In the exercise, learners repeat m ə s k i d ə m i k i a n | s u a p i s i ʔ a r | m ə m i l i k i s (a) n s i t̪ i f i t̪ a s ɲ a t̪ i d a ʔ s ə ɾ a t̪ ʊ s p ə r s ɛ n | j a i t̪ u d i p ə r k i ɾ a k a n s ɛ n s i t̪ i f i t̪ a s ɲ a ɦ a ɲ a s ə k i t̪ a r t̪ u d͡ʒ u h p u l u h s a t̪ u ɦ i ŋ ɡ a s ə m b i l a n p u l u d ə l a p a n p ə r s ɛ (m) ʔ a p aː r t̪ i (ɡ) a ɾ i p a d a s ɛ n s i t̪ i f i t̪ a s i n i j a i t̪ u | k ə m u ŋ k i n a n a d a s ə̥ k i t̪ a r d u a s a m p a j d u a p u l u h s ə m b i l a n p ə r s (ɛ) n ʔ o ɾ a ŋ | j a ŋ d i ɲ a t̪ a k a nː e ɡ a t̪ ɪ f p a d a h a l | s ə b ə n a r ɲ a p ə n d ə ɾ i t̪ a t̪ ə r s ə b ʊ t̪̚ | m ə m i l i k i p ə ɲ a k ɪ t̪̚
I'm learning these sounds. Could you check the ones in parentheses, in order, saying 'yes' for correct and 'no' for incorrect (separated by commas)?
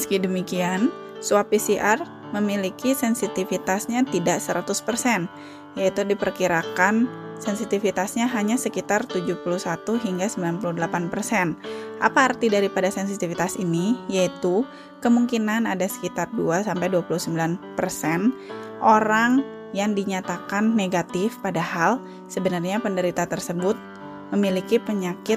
no, no, no, yes